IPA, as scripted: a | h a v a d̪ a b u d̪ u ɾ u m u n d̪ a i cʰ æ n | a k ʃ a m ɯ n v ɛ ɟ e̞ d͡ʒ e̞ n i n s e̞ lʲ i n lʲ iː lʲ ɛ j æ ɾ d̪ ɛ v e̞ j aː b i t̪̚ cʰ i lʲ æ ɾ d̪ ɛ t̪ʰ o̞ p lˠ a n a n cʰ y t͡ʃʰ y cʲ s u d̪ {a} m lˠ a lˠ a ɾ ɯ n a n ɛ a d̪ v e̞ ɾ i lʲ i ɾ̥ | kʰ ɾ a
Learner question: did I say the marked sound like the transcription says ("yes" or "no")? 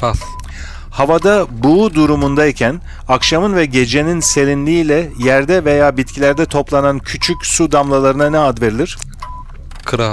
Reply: yes